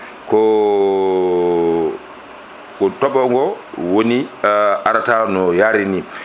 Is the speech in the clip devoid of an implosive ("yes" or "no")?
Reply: yes